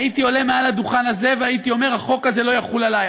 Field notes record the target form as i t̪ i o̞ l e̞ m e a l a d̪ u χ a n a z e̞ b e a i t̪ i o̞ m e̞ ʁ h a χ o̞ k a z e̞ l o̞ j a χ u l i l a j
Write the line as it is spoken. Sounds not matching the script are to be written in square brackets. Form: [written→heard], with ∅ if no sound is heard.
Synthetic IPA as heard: i t̪ i o̞ l e̞ m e a l a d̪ u χ a n a z e̞ [b→v] e a i t̪ i o̞ m e̞ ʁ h a χ o̞ k a z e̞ l o̞ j a χ u l [i→a] l a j

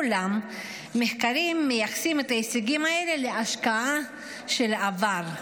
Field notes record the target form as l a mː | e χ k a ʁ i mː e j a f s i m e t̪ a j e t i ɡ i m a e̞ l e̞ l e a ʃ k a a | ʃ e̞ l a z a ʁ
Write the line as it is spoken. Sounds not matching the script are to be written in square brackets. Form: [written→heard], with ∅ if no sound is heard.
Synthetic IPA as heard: l a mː | e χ k a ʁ i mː e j a [f→χ] s i m e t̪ a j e [t→s] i ɡ i m a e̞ l e̞ l e a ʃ k a a | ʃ e̞ l a [z→v] a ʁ

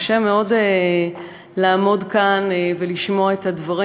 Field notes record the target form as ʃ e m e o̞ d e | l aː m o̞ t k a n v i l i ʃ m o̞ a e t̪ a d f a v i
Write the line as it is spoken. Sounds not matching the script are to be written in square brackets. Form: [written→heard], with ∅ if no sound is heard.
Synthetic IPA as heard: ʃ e m e o̞ d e | l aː m o̞ [t→d] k a n v [i→e] l i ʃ m o̞ a e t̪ a d [f→v] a [v→ʁ] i

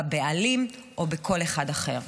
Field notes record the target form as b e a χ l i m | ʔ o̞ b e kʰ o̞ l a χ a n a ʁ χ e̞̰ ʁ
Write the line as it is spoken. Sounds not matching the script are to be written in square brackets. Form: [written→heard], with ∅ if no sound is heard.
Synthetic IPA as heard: b e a [χ→∅] l i m | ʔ o̞ b e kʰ o̞ l [a→e] χ a [n→d] a [ʁ→∅] χ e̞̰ ʁ

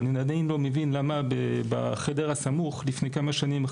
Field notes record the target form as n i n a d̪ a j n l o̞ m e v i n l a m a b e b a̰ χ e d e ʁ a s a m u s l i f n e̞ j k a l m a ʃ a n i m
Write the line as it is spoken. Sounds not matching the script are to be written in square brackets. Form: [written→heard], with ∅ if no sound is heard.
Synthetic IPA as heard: n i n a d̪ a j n l o̞ m e v i n l a m a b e b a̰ χ e d e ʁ a s a m u [s→χ] l i f n e̞ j k a [l→∅] m a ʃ a n i m

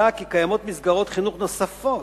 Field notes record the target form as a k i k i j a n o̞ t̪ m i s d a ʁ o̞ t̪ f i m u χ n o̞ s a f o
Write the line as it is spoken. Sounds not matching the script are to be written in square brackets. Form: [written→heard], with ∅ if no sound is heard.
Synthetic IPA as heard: a k i k [i→a] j a [n→m] o̞ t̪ m i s [d→ɡ] a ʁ o̞ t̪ [f→χ] i [m→n] u χ n o̞ s a f o

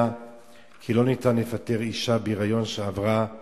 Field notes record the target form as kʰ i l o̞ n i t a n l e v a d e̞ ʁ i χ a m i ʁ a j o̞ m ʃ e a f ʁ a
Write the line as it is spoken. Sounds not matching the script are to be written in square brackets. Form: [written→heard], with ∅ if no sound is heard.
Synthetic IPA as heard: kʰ i l o̞ n i t a n l e [v→f] a [d→t] e̞ ʁ i [χ→ʃ] a [m→b] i ʁ a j o̞ [m→n] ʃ e a [f→v] ʁ a

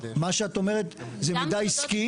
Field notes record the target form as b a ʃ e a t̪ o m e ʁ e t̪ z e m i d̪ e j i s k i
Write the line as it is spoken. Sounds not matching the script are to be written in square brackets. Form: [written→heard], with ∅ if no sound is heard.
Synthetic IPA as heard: [b→m] a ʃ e a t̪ o m e ʁ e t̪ z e m i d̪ [e→a] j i s k i

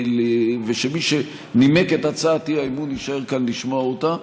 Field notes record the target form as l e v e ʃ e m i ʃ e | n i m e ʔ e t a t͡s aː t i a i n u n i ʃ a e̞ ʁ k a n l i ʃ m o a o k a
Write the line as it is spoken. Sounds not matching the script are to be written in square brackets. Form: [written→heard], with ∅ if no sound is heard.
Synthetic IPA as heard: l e v e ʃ e m i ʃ e | n i m e [ʔ→k] e t a t͡s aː t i a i [n→m] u n i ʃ a e̞ ʁ k a n l i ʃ m o a o [k→t] a

